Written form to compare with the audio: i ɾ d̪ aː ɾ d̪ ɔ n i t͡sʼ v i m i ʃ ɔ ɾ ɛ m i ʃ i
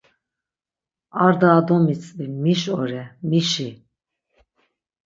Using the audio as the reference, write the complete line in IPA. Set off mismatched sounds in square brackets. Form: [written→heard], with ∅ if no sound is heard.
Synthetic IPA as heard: [i→a] ɾ d̪ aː [ɾ→∅] d̪ ɔ [n→m] i t͡sʼ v i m i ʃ ɔ ɾ ɛ m i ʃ i